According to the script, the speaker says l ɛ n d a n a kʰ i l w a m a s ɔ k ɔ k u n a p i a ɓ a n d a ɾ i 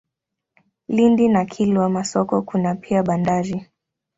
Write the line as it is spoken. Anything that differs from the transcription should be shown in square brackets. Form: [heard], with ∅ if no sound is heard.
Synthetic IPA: l [i] n d [i] n a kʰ i l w a m a s ɔ k ɔ k u n a p i a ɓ a n d a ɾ i